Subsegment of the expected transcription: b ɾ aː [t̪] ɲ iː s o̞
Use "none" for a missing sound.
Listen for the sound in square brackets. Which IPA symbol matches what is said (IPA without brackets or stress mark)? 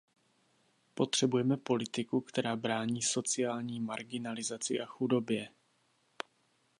none